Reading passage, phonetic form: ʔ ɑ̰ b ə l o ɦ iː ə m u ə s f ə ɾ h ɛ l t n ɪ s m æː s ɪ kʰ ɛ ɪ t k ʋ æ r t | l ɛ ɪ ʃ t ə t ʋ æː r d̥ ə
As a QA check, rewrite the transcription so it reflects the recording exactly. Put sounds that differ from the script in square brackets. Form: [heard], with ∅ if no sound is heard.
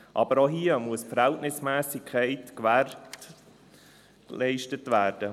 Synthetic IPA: ʔ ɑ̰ b ə [ɾ] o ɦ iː ə m u ə s f ə ɾ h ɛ l t n ɪ s m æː s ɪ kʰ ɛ ɪ t k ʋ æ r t | l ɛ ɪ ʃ t ə t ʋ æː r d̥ ə